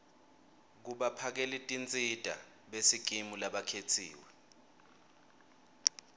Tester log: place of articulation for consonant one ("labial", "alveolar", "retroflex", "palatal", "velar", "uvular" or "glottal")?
velar